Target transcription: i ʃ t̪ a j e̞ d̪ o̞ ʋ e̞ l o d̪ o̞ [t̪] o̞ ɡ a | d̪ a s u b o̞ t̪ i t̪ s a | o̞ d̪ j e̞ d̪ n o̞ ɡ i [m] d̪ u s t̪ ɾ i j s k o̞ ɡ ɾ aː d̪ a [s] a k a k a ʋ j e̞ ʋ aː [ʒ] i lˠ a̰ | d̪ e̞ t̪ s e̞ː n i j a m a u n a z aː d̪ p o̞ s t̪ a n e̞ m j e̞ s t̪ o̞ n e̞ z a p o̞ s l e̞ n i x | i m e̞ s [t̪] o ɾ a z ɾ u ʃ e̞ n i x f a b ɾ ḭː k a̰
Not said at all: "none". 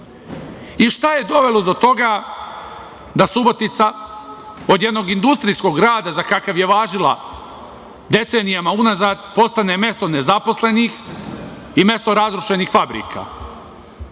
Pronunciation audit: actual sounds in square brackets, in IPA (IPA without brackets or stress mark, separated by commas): t̪, n, z, ʒ, t̪